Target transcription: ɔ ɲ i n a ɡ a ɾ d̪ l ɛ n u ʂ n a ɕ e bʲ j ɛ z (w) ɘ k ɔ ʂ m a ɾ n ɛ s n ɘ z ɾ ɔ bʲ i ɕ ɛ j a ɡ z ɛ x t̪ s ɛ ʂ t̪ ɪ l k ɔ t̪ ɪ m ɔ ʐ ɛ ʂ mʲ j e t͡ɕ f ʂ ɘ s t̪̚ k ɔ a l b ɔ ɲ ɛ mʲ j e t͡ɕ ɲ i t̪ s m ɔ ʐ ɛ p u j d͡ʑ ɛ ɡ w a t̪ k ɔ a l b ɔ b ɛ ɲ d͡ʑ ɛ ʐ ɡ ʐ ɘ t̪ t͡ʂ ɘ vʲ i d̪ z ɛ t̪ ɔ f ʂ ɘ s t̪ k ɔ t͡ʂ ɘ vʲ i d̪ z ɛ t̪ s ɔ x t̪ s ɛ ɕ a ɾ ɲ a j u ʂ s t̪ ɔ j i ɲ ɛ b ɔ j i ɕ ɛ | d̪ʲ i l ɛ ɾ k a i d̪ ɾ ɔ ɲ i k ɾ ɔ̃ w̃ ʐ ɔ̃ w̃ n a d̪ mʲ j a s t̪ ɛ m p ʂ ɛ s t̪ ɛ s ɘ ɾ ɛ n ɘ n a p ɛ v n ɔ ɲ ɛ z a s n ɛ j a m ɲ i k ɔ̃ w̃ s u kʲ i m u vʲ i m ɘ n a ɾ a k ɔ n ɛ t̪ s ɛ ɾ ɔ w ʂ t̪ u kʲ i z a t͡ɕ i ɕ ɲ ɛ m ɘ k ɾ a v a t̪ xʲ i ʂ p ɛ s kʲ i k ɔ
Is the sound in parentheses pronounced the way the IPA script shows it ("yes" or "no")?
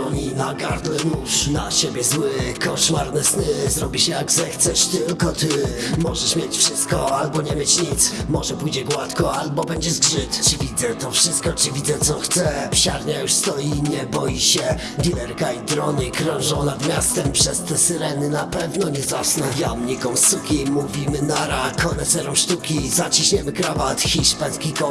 yes